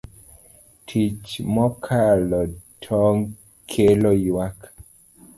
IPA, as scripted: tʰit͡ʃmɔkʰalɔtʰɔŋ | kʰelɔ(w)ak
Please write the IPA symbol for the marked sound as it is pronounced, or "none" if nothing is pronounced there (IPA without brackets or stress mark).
w